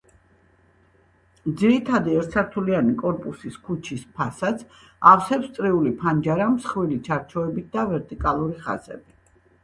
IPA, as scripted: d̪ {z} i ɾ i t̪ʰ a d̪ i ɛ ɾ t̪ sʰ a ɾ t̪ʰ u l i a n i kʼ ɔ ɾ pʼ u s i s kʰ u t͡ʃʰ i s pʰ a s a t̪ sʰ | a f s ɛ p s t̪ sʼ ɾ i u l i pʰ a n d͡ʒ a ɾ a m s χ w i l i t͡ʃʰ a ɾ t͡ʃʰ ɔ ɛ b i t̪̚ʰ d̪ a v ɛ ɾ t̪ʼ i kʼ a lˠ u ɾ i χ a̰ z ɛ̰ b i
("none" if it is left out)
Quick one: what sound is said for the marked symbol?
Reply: z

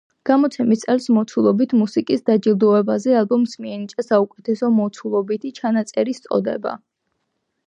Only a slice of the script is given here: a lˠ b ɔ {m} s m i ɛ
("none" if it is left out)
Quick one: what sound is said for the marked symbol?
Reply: m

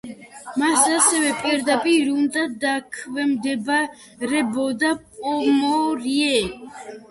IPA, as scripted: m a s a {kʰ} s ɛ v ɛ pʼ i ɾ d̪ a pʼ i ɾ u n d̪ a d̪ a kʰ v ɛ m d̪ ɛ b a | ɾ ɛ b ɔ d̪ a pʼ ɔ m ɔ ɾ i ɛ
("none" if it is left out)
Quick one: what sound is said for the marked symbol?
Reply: none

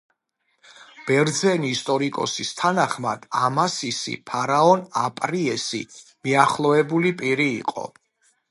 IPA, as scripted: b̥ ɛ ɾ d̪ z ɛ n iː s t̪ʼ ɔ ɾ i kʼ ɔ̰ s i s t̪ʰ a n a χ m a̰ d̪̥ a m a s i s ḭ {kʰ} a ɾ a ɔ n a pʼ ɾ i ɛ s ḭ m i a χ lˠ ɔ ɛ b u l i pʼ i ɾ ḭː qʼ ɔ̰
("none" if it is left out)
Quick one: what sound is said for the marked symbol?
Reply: pʰ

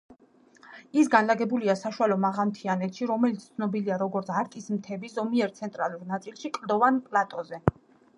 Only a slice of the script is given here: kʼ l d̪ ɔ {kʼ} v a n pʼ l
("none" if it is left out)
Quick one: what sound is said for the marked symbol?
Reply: none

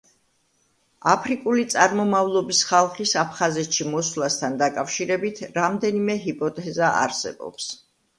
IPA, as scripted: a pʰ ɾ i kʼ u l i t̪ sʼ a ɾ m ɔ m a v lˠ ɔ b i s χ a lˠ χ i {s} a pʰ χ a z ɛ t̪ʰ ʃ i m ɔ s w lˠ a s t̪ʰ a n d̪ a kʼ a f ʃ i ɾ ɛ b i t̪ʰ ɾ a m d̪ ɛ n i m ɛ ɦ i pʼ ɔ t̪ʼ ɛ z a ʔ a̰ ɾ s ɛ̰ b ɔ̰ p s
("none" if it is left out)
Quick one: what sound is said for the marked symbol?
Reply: s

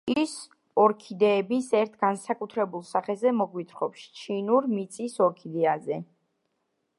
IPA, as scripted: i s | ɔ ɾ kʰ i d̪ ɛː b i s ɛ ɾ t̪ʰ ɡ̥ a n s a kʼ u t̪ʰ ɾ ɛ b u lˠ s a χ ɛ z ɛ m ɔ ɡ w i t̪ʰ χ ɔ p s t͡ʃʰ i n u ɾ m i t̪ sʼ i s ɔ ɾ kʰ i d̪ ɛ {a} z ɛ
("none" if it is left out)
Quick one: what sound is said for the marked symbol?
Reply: a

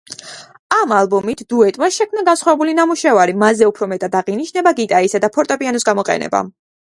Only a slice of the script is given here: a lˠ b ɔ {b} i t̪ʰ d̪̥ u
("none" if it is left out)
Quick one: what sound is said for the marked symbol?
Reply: m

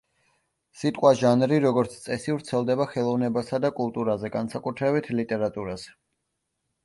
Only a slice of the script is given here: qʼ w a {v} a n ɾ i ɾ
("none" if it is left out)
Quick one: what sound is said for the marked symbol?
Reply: ʒ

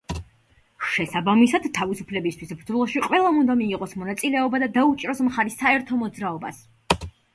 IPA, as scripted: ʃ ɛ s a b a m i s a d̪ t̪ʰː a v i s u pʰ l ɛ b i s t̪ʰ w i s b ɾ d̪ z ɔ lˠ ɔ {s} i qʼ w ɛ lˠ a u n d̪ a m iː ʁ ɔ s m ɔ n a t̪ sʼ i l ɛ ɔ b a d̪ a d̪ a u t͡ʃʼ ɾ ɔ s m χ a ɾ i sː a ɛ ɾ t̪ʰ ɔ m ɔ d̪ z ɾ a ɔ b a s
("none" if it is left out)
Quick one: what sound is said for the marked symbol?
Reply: ʃ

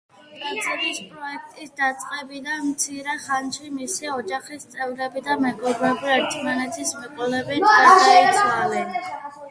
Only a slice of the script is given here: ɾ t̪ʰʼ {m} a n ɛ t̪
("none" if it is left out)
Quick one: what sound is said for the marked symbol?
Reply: m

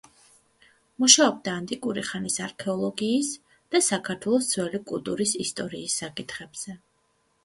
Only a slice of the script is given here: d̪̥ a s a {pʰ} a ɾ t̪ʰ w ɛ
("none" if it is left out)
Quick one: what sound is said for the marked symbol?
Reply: kʰ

